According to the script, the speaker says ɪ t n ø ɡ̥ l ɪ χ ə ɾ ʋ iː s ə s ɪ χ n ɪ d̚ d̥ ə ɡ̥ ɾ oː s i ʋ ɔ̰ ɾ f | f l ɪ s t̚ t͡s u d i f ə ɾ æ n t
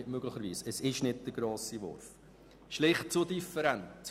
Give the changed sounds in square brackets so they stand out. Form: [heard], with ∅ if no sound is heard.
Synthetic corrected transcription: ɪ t [m] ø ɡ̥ l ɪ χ ə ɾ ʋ iː s ə s ɪ [ʃ] n ɪ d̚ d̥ ə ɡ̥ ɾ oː s i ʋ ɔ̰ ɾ f | [ʃ] l ɪ [χ] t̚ t͡s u d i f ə ɾ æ n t